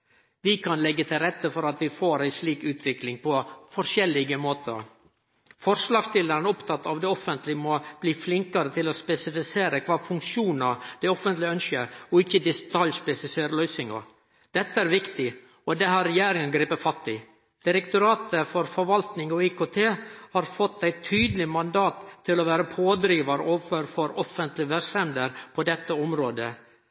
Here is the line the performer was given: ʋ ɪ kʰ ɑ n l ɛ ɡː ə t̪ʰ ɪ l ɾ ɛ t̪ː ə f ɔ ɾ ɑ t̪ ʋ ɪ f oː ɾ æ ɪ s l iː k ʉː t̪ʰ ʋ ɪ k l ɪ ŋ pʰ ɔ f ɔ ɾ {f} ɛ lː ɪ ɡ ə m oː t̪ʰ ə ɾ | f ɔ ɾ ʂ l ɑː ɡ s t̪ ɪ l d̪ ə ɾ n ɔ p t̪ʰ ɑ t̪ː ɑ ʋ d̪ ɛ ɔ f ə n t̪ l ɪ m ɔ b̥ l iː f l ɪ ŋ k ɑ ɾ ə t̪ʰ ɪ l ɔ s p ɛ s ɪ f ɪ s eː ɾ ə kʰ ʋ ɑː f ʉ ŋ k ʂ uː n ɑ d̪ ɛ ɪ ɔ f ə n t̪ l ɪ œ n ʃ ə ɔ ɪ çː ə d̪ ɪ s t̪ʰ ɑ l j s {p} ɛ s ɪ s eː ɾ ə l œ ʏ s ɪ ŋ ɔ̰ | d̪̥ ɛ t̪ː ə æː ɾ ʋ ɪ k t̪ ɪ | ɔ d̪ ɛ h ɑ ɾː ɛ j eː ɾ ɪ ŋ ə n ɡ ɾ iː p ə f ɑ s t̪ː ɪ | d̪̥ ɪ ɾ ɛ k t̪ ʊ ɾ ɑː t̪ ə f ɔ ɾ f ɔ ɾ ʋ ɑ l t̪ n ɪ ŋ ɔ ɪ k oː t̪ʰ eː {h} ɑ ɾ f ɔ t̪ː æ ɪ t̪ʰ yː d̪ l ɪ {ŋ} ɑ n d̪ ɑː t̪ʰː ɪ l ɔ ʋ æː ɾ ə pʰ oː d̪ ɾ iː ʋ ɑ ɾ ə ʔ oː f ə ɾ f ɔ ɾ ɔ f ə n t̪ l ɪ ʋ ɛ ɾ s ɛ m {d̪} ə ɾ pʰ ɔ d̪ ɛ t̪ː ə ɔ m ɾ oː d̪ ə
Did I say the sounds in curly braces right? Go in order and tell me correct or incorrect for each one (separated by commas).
incorrect, correct, correct, incorrect, correct